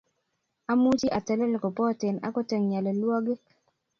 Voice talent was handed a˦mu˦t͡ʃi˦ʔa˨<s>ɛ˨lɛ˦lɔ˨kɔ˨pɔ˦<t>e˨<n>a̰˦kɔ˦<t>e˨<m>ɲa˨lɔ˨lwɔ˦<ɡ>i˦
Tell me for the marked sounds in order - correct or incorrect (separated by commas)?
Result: incorrect, correct, correct, correct, incorrect, correct